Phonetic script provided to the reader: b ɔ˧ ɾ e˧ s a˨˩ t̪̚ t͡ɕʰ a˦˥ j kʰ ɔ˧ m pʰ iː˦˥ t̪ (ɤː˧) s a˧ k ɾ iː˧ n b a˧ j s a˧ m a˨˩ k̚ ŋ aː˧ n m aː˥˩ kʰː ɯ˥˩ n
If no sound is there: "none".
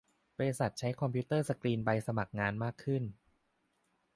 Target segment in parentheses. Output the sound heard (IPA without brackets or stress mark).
ɤː˥˩